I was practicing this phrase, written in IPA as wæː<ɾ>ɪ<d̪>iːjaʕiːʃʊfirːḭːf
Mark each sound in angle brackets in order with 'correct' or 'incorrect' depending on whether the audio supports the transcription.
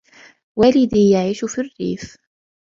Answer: incorrect: l, correct

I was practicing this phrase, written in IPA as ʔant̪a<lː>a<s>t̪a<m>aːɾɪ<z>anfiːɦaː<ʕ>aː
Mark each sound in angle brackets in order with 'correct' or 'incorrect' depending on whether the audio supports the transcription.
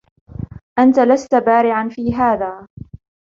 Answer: incorrect: l, correct, incorrect: b, incorrect: ʕ, incorrect: ð

